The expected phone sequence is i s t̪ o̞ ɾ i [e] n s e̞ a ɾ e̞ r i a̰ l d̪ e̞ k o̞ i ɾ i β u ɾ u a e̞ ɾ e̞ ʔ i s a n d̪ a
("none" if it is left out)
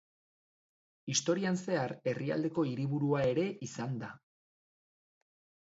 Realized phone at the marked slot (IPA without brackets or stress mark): a